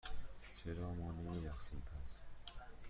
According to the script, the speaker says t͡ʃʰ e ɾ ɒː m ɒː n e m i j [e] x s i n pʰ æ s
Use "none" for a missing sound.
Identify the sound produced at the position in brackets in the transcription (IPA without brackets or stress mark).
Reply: æ